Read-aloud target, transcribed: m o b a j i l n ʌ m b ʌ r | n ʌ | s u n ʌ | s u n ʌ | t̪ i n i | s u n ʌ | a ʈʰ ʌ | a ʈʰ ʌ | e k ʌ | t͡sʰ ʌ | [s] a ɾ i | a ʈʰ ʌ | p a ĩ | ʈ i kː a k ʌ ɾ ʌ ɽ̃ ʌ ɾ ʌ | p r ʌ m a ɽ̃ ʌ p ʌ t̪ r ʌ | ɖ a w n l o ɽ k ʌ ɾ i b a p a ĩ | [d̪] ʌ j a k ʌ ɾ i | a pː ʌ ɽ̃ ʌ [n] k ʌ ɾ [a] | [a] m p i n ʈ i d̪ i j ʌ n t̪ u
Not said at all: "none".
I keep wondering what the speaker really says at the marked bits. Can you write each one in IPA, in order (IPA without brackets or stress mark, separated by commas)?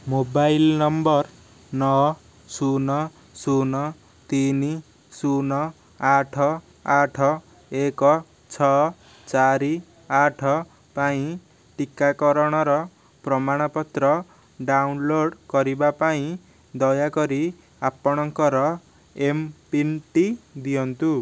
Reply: t͡s, d̪, ŋ, ʌ, e